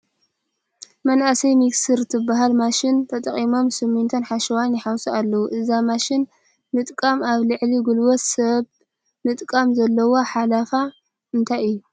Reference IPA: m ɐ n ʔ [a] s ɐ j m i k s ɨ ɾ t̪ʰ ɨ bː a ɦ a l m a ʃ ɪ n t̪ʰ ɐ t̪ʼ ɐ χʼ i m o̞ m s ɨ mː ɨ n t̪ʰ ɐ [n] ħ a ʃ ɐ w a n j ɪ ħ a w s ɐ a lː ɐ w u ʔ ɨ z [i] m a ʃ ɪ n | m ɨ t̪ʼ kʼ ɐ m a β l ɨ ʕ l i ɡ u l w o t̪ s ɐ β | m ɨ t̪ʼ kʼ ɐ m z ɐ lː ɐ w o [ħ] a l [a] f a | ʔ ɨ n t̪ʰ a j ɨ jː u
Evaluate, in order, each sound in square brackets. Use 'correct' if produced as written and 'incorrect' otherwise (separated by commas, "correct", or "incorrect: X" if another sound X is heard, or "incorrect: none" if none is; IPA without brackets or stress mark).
correct, correct, incorrect: a, correct, correct